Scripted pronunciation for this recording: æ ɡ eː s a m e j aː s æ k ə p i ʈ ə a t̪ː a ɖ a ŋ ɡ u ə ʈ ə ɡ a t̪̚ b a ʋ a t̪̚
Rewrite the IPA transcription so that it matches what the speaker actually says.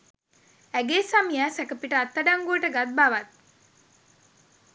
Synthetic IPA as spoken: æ ɡ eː s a m i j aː s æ k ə p i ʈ ə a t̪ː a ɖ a ŋ ɡ u ə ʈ ə ɡ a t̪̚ b a ʋ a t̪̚

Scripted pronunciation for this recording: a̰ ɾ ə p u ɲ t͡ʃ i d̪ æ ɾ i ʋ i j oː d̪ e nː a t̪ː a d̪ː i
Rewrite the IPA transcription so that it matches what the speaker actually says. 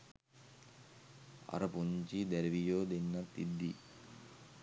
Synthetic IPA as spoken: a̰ ɾ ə p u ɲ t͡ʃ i d̪ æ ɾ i ʋ i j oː d̪ e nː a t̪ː i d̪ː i

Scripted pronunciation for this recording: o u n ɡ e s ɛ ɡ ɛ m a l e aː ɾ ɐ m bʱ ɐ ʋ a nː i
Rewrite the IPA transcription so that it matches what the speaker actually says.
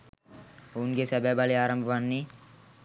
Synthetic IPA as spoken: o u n ɡ e s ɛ b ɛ b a l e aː ɾ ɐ m bʱ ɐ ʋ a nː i

